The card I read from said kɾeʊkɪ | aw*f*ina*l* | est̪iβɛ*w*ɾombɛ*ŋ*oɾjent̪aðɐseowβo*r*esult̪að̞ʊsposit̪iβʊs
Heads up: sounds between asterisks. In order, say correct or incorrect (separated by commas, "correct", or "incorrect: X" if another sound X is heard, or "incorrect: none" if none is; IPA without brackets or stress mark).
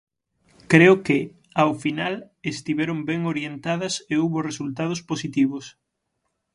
correct, correct, incorrect: none, correct, correct